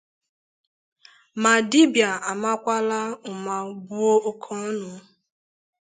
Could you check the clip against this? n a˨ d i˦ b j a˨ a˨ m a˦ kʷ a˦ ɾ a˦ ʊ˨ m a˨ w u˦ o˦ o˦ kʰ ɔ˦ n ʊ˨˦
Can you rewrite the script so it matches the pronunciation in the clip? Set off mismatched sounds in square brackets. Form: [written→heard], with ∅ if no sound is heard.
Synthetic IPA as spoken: [n→m] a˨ d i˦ b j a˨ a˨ m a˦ kʷ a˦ [ɾ→l] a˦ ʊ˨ m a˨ [w→b] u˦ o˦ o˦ kʰ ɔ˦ n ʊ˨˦

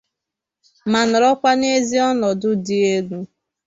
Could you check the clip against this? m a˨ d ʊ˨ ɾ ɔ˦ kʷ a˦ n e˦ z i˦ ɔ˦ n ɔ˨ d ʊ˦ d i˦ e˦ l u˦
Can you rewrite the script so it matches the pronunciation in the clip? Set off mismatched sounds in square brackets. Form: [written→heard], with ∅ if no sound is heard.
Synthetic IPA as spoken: m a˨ [d→n] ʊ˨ ɾ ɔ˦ kʷ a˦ n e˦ z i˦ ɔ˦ n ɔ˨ d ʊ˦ d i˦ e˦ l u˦

